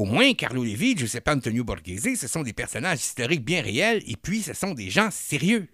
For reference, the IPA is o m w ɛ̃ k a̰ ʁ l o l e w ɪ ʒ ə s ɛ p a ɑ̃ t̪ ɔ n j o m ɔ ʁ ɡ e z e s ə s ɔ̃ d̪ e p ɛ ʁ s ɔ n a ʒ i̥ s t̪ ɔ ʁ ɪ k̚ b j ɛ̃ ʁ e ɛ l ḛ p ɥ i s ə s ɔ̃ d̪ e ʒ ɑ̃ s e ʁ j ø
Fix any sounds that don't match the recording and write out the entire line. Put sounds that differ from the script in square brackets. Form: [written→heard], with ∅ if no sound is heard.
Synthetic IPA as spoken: o m w ɛ̃ k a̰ ʁ l o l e [w→v] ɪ ʒ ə s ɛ p a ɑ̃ t̪ ɔ n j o [m→b] ɔ ʁ ɡ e z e s ə s ɔ̃ d̪ e p ɛ ʁ s ɔ n a ʒ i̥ s t̪ ɔ ʁ ɪ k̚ b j ɛ̃ ʁ e ɛ l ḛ p ɥ i s ə s ɔ̃ d̪ e ʒ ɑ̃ s e ʁ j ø